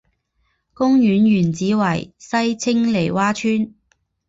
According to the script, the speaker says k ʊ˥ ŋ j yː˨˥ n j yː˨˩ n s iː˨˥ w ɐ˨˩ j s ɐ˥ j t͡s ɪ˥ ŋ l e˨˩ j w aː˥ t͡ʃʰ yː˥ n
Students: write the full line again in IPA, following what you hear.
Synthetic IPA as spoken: k ʊ˥ ŋ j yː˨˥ n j yː˨˩ n t͡s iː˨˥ w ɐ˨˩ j s ɐ˥ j t͡sʰ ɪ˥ ŋ l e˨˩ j w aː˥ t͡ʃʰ yː˥ n